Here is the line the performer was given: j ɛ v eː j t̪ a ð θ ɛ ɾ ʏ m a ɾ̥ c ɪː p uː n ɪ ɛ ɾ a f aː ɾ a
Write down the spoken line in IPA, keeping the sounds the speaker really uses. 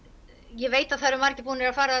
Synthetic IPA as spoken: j ɛ v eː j t̪ a ð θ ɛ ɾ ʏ m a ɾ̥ c ɪ p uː n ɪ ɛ ɾ a f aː ɾ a